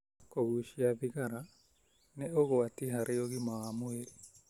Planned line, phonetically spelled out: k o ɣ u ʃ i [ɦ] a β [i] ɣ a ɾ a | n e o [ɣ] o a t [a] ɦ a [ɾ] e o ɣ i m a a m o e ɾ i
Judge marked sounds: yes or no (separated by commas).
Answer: no, yes, yes, no, yes